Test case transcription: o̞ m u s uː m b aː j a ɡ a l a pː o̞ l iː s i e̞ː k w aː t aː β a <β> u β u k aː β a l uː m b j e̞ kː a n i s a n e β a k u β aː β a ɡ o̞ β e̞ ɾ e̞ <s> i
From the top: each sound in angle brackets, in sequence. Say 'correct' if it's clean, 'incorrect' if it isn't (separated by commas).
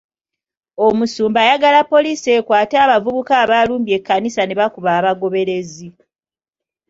incorrect, incorrect